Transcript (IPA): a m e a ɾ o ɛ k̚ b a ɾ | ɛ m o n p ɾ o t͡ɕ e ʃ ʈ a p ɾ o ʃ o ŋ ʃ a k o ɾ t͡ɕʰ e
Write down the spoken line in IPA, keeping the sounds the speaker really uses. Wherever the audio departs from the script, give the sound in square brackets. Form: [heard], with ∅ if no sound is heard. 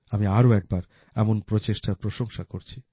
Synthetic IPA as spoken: a m [i] a ɾ o ɛ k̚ b a ɾ | ɛ m o n p ɾ o t͡ɕ e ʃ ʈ a p ɾ o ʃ o ŋ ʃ a k o ɾ t͡ɕʰ [i]